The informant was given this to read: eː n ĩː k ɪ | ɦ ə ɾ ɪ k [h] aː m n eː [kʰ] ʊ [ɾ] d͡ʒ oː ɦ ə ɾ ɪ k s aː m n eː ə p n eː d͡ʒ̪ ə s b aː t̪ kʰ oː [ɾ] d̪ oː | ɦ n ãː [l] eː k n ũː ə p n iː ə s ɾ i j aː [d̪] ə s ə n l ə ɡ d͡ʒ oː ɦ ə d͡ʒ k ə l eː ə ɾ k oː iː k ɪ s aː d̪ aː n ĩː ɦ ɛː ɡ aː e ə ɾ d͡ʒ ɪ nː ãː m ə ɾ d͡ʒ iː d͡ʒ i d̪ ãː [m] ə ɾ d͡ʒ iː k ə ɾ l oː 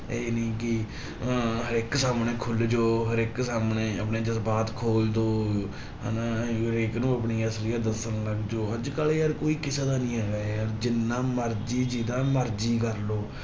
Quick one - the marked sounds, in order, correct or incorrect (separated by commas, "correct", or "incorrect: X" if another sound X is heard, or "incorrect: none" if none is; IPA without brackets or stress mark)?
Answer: incorrect: s, correct, incorrect: l, incorrect: l, incorrect: ɾ, correct, correct